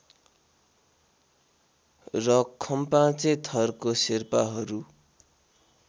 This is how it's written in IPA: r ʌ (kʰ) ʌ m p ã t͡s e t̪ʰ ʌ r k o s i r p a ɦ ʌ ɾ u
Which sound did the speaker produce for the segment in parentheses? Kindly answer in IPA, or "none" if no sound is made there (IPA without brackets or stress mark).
kʰ